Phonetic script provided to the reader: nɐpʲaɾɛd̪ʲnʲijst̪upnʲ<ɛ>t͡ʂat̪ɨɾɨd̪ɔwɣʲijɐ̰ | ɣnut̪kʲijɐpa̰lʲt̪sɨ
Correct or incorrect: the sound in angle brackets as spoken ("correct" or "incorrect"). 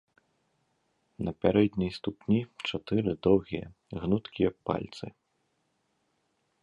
incorrect